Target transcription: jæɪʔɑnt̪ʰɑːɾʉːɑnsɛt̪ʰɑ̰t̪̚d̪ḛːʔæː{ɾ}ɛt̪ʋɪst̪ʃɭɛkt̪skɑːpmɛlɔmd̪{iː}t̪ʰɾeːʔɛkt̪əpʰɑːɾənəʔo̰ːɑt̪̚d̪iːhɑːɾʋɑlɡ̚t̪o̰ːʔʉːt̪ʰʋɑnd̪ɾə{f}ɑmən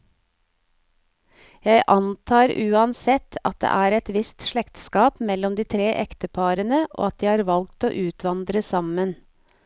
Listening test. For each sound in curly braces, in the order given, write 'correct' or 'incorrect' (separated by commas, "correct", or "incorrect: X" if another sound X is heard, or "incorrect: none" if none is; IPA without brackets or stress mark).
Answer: correct, correct, incorrect: s